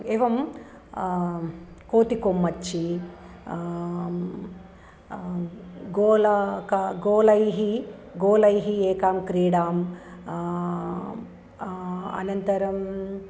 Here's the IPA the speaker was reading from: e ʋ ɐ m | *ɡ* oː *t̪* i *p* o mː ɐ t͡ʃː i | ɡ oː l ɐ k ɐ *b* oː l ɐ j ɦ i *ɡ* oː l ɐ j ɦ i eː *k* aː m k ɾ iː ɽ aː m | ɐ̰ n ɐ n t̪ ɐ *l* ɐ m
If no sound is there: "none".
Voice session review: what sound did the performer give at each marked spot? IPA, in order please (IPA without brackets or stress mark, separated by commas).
k, t̪, k, ɡ, ɡ, k, ɾ